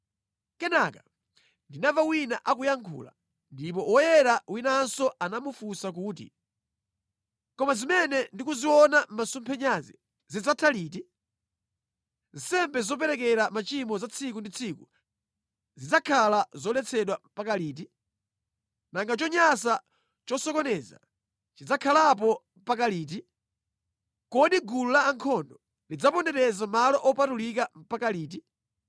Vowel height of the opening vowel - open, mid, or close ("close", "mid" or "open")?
mid